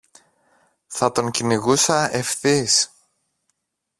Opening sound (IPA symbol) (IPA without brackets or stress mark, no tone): θ